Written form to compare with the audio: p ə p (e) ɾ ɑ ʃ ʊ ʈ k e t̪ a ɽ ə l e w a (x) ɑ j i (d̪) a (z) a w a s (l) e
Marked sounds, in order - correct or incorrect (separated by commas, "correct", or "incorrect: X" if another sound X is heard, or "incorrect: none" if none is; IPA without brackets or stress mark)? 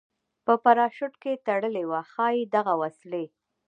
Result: incorrect: a, correct, correct, incorrect: ɣ, correct